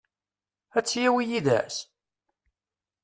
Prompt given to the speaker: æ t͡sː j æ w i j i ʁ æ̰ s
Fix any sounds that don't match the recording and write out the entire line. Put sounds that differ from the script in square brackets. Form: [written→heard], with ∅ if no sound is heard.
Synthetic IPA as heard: æ t͡sː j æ w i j i [ʁ→ð] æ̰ s